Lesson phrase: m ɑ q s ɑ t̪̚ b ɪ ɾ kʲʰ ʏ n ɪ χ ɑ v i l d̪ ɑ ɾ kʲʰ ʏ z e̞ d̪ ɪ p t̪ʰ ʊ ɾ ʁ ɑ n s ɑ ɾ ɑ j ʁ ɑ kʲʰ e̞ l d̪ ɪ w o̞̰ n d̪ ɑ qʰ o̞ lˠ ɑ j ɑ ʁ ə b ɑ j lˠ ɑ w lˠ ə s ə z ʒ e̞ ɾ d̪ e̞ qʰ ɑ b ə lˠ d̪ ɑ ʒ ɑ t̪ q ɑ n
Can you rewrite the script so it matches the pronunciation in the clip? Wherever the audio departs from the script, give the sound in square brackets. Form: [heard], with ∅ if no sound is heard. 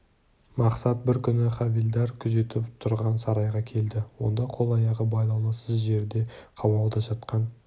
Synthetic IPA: m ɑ q s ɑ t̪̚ b ɪ ɾ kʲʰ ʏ n ɪ χ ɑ v i l d̪ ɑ ɾ kʲʰ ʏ z e̞ [t̪] ɪ p t̪ʰ ʊ ɾ ʁ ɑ n s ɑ ɾ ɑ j ʁ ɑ kʲʰ e̞ l d̪ ɪ w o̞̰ n d̪ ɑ qʰ o̞ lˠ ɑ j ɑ ʁ ə b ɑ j lˠ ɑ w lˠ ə s ə z ʒ e̞ ɾ d̪ e̞ qʰ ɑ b [ɑ] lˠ d̪ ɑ ʒ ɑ t̪ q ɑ n